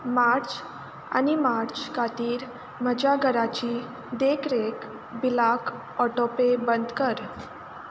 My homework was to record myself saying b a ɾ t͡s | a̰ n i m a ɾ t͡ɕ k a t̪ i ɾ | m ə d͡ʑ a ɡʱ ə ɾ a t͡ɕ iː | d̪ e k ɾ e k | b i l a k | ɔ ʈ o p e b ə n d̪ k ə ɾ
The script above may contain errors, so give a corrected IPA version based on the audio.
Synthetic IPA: m a ɾ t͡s | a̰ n i m a ɾ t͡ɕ k a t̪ iː ɾ | m ə d͡ʑ a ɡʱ ə ɾ a t͡ɕ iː | d̪ e k ɾ e k | b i l a k | ɔ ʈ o p e b ə n d̪ k ə ɾ